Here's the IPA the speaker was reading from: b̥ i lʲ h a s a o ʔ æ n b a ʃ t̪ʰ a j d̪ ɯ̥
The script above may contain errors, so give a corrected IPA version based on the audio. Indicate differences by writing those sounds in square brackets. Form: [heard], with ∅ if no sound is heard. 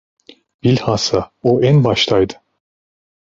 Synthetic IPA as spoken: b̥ i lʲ h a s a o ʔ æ n b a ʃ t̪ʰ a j d̪ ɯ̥